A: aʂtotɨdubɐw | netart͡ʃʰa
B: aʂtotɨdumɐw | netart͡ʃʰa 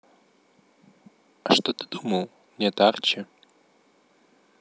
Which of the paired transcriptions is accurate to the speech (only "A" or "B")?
B